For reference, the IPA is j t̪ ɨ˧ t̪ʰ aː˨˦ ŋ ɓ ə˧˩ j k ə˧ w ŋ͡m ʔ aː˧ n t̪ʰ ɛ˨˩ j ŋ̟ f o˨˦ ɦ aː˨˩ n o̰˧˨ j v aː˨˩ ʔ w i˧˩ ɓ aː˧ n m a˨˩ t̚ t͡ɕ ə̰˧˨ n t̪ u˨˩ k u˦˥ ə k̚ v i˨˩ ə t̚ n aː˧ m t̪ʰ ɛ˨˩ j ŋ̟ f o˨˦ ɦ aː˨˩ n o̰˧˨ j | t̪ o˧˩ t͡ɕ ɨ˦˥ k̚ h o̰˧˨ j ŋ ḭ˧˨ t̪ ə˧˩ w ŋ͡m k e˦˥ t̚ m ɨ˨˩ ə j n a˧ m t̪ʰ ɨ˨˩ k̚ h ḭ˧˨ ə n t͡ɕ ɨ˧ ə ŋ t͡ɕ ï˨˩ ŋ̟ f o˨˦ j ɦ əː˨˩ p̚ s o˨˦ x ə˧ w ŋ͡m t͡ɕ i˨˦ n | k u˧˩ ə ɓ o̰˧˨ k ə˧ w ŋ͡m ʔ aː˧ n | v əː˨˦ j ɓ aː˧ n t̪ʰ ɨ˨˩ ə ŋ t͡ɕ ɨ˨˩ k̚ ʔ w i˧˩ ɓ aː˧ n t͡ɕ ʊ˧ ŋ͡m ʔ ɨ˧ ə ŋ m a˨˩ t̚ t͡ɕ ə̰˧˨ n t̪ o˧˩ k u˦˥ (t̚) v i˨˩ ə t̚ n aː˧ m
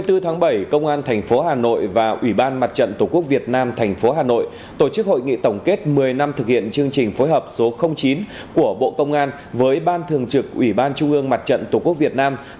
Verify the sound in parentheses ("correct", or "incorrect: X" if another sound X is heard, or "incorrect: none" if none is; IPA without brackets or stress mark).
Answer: incorrect: k̚